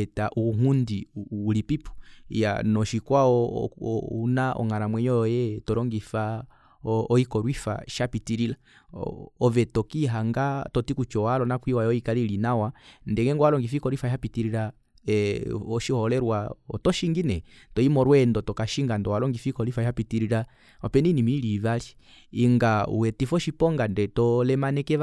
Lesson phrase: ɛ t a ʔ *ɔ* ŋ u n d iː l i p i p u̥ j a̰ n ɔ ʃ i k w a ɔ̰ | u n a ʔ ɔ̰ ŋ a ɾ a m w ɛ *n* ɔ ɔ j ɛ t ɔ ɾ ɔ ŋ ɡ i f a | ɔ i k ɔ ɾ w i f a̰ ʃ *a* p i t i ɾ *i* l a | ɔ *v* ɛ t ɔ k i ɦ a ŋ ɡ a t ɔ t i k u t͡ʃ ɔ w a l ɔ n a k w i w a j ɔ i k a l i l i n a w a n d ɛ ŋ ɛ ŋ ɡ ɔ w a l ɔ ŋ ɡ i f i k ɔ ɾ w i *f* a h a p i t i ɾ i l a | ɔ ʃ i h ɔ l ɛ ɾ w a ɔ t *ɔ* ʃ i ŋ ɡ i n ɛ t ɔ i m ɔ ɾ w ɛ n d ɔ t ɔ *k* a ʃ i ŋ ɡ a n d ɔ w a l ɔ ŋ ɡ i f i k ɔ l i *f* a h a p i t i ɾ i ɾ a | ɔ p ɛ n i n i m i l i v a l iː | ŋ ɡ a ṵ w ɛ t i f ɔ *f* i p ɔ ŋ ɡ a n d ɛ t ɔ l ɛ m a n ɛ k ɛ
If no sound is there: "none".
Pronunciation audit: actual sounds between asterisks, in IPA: u, ɲ, a, i, v, f, ɔ, k, f, ʃ

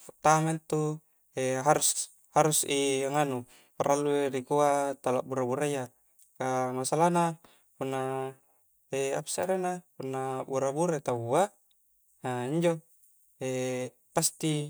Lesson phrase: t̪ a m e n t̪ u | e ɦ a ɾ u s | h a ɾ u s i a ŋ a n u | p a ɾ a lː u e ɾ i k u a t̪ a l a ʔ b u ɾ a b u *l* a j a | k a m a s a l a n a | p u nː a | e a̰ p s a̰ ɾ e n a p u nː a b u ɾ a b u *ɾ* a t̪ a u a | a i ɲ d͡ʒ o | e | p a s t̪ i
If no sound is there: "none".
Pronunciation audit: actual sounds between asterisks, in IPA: ɾ, ɾ

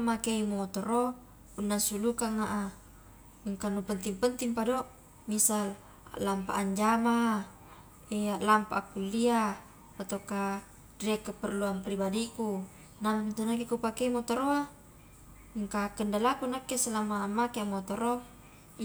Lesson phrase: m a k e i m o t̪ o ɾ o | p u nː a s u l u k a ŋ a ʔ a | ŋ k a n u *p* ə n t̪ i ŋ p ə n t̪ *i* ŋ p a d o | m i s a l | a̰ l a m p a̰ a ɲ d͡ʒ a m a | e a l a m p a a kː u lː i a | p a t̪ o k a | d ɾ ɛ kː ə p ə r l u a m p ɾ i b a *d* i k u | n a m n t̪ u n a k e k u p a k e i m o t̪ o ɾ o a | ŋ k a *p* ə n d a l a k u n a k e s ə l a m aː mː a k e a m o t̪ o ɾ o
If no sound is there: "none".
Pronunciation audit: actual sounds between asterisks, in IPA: p, i, d, k

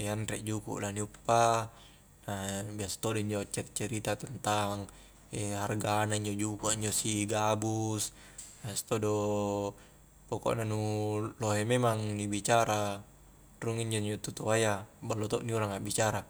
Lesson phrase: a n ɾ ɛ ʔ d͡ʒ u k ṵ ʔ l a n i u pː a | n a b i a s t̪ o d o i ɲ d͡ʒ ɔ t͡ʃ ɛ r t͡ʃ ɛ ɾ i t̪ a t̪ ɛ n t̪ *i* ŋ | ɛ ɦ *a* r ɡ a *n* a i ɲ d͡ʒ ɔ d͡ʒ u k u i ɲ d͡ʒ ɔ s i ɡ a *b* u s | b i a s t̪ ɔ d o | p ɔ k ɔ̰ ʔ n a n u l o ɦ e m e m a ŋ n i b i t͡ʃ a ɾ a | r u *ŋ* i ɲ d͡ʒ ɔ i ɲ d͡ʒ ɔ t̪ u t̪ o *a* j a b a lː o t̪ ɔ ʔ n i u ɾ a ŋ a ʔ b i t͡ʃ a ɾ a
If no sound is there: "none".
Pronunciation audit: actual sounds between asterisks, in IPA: a, a, n, b, ŋ, a

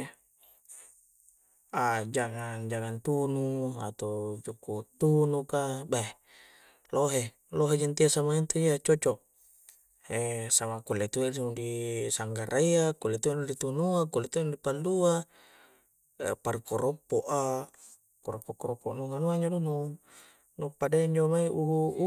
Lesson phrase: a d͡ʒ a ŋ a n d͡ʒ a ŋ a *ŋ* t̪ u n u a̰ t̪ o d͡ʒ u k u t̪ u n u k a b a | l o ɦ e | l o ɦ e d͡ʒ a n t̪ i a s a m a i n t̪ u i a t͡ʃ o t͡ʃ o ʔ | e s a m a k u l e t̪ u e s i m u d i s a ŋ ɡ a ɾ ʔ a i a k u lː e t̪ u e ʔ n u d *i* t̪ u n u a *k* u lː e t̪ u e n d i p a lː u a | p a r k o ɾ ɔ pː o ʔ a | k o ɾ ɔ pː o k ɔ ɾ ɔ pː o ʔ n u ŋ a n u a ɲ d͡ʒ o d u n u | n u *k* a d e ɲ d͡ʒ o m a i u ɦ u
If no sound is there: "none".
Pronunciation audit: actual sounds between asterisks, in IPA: n, i, k, p

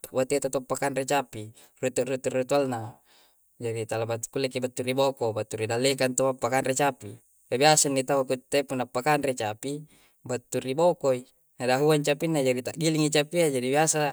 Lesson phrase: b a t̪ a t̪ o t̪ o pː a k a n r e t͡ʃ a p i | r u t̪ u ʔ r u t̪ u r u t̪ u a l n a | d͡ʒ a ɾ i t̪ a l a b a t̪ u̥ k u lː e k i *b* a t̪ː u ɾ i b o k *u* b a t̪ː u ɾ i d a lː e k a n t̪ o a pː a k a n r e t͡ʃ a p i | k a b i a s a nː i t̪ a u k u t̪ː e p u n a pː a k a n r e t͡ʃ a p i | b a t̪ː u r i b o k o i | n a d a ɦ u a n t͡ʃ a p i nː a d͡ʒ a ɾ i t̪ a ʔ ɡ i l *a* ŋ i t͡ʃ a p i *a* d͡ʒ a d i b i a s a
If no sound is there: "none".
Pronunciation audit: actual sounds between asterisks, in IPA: b, o, i, a

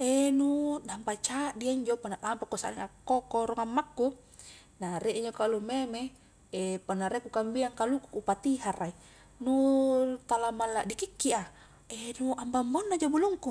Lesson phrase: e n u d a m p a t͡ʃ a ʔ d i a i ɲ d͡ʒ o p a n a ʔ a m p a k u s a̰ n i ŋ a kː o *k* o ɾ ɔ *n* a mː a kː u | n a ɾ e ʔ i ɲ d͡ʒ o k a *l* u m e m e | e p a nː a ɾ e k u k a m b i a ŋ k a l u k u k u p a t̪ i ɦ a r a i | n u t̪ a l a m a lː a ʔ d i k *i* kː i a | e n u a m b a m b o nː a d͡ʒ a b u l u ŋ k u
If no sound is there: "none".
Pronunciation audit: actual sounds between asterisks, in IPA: k, ŋ, l, i

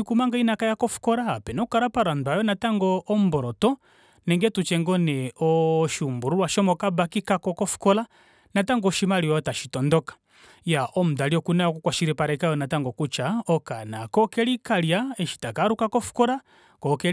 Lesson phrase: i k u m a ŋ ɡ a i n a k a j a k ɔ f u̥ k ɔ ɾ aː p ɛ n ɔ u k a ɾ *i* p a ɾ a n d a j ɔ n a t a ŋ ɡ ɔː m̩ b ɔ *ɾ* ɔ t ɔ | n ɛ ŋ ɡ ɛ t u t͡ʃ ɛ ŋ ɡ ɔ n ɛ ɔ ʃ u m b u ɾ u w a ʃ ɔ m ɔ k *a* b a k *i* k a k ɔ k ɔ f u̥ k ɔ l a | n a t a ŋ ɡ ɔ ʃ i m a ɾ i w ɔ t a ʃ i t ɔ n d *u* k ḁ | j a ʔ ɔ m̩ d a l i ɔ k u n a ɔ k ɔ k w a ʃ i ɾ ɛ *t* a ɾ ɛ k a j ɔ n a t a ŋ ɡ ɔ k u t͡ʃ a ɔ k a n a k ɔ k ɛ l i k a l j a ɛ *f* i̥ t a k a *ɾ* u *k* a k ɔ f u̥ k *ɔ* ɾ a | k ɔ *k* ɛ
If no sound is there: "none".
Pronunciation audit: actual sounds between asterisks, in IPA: a, ɾ, a, i, ɔ, p, ʃ, ɾ, k, ɔ, k

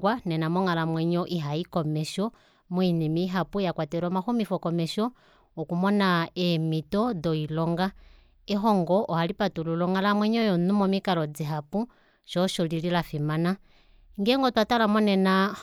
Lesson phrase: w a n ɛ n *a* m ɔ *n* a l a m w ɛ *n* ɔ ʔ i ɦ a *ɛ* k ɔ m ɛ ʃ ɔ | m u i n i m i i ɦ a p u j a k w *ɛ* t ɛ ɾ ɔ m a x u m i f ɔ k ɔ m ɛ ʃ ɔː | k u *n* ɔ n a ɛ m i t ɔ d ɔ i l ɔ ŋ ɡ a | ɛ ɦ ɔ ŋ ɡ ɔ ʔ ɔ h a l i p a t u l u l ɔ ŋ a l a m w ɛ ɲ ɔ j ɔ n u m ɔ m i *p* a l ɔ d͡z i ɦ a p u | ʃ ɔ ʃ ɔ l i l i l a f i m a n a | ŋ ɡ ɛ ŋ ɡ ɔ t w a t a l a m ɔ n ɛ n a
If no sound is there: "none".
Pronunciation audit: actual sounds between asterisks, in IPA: a, ŋ, ɲ, i, a, m, k

